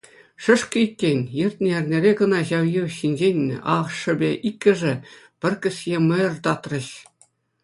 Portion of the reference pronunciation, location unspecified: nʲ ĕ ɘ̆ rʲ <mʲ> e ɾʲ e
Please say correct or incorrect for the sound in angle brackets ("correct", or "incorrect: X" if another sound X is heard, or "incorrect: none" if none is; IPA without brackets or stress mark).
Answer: incorrect: nʲ